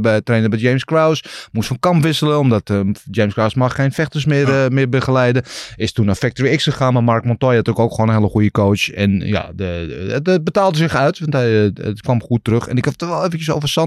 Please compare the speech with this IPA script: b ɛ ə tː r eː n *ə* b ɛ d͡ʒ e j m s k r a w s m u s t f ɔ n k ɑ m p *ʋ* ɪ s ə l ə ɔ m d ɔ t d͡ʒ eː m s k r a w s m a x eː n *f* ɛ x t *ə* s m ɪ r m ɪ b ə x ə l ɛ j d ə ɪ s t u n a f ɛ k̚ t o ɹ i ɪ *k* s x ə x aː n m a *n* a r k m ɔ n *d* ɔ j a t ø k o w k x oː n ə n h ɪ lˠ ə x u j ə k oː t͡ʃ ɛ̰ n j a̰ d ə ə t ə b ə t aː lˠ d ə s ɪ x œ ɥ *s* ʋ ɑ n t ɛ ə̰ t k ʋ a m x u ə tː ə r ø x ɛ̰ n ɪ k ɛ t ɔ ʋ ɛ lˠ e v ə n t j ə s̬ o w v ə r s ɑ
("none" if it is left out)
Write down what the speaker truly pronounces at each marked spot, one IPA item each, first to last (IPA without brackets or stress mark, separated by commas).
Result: ə, ʋ, f, ə, k, m, t, t